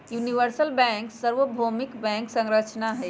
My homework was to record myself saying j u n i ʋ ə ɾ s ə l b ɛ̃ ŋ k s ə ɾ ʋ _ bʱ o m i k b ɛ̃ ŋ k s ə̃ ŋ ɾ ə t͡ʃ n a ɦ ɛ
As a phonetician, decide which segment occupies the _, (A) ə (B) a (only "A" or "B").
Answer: A